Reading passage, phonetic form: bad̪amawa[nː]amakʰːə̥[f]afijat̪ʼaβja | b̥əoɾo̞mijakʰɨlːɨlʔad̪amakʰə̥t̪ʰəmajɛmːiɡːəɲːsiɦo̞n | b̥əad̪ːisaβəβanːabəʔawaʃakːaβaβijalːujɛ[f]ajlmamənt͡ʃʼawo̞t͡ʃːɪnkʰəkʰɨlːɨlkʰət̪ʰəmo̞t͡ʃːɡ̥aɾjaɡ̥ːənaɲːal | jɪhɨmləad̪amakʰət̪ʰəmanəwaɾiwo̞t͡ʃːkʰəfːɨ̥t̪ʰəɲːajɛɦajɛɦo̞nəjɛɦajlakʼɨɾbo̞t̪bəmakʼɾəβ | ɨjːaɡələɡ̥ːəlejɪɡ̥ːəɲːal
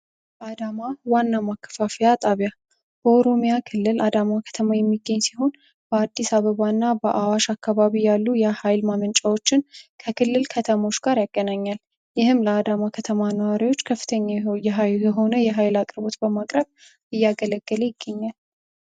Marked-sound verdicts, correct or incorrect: correct, correct, incorrect: h

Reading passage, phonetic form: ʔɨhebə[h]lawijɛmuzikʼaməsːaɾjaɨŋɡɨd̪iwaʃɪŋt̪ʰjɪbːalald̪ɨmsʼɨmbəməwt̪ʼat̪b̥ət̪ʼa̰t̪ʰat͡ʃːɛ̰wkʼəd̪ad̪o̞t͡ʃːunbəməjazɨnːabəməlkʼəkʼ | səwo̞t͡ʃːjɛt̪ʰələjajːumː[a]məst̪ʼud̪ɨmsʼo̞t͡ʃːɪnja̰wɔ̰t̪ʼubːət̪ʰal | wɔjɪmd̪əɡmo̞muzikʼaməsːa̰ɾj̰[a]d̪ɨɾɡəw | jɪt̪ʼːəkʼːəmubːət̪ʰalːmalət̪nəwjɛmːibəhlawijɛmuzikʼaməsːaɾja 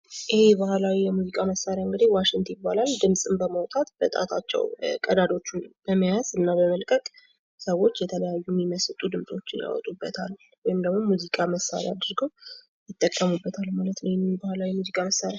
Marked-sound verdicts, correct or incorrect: correct, incorrect: i, correct

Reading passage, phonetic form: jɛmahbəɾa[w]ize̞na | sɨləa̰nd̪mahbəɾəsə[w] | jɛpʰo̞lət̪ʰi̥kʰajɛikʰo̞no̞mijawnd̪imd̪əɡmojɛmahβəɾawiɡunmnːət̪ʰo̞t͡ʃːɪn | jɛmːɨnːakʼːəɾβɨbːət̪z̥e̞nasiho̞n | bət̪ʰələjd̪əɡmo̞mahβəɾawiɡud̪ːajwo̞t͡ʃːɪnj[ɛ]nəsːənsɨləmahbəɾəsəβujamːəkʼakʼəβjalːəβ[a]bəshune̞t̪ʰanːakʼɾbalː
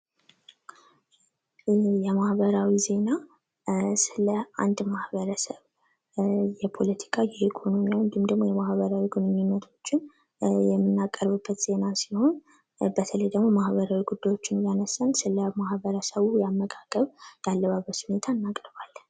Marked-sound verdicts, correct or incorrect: correct, incorrect: β, incorrect: a, correct

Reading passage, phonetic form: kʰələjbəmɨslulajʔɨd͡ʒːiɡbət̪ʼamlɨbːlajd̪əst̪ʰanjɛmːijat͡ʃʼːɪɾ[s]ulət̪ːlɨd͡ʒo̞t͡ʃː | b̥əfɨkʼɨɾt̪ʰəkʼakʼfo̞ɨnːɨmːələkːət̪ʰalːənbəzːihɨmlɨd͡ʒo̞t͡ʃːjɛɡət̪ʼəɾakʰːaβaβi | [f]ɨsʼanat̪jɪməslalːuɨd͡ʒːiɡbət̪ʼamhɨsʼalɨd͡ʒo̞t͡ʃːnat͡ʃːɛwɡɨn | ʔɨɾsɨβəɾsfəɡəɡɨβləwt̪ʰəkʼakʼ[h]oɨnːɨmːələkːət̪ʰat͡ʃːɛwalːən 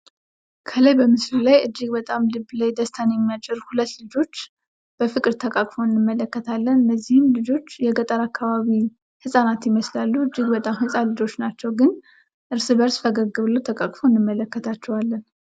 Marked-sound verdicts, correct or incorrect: incorrect: h, incorrect: h, incorrect: f

